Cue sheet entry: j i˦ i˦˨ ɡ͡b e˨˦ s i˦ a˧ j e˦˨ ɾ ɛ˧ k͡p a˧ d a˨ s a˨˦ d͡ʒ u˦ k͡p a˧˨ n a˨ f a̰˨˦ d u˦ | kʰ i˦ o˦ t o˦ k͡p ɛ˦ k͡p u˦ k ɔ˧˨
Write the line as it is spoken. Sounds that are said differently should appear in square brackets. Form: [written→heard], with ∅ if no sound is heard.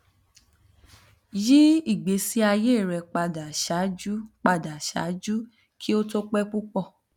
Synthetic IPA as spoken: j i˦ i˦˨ ɡ͡b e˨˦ s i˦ a˧ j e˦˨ ɾ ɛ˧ k͡p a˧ d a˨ [s→ʃ] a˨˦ d͡ʒ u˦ k͡p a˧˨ [n→d] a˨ [f→ʃ] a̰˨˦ [d→d͡ʒ] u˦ | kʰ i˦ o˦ t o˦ k͡p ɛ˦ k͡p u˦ [k→k͡p] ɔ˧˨